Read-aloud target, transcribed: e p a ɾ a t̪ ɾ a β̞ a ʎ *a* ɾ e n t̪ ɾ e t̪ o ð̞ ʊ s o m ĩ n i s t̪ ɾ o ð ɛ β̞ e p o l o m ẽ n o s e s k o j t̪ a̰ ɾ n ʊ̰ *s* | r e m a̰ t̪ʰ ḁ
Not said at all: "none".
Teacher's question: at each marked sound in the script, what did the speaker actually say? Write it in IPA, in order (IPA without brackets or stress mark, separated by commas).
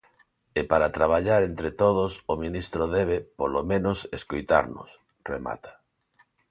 a, s